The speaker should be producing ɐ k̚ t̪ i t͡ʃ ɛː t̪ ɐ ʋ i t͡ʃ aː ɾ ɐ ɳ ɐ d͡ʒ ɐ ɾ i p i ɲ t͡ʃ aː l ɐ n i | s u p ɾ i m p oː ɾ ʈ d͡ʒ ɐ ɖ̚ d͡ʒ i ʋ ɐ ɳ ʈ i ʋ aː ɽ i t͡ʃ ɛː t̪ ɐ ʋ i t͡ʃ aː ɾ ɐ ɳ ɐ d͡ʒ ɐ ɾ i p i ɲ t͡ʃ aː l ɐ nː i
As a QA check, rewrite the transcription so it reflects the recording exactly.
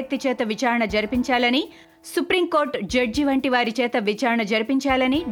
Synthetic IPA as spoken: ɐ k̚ t̪ i t͡ʃ ɛː t̪ ɐ ʋ i t͡ʃ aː ɾ ɐ ɳ ɐ d͡ʒ ɐ ɾ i p i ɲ t͡ʃ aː l ɐ n i | s u p ɾ i m k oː ɾ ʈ d͡ʒ ɐ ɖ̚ d͡ʒ i ʋ ɐ ɳ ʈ i ʋ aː ɾ i t͡ʃ ɛː t̪ ɐ ʋ i t͡ʃ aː ɾ ɐ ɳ ɐ d͡ʒ ɐ ɾ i p i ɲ t͡ʃ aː l ɐ n i